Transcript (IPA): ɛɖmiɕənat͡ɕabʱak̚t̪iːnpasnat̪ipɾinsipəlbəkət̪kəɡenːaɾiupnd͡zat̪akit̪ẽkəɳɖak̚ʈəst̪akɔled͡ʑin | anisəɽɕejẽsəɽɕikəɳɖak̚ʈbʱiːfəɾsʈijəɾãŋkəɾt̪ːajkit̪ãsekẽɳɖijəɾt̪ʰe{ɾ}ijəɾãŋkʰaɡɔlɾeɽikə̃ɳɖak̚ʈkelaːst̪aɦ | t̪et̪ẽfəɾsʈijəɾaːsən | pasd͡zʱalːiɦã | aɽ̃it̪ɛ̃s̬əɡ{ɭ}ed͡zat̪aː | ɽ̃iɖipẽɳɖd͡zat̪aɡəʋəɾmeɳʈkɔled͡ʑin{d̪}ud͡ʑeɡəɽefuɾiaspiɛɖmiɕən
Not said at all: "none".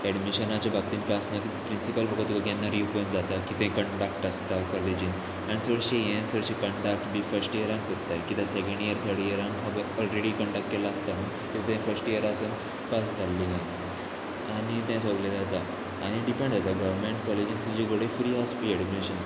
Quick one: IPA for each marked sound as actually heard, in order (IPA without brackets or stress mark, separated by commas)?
ɽ, l, t̪